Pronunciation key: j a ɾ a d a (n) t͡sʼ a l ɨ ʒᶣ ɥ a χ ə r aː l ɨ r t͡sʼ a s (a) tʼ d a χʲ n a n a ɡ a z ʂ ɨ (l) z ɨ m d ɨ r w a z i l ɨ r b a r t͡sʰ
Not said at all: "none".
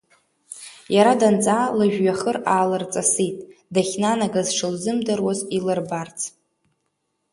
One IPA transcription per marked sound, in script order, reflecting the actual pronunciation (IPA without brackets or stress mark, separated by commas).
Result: n, i, l